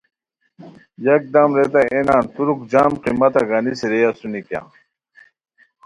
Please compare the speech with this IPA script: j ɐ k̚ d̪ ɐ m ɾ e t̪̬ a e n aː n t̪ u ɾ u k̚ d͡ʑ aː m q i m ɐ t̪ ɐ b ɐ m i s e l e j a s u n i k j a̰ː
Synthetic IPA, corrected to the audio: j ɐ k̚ d̪ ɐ m ɾ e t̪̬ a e n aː n t̪ u ɾ u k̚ d͡ʑ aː m q i m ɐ t̪ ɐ ɡ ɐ n i s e ɾ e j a s u n i k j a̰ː